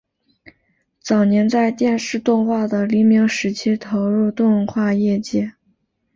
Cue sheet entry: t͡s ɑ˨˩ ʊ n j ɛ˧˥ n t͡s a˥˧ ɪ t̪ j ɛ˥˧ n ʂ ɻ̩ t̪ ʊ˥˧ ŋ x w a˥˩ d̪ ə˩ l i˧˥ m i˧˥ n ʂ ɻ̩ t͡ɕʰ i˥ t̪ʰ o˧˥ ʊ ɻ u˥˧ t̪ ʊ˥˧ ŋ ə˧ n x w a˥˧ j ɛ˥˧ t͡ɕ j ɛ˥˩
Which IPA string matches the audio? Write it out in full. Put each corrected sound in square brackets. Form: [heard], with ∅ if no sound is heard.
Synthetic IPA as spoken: t͡s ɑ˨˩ ʊ n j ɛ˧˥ n t͡s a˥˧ ɪ t̪ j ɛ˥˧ n ʂ ɻ̩ t̪ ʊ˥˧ ŋ x w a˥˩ d̪ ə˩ l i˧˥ m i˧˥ [ŋ] ʂ ɻ̩ t͡ɕʰ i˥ t̪ʰ o˧˥ ʊ ɻ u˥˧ t̪ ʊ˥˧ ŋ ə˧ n x w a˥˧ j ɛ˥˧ t͡ɕ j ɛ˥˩